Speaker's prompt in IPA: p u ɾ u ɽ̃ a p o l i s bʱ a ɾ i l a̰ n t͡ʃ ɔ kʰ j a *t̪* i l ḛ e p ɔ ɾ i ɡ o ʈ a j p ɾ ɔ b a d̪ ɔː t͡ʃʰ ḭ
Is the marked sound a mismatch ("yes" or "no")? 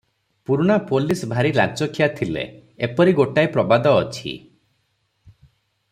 yes